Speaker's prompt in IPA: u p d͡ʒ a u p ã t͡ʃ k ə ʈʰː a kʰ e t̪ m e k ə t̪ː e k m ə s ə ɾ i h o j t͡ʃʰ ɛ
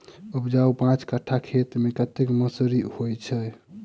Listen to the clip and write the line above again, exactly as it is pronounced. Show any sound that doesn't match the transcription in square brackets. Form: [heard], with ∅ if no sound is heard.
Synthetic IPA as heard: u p d͡ʒ a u p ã t͡ʃ k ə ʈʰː a kʰ e t̪ m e k ə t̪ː e k m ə s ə ɾ i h o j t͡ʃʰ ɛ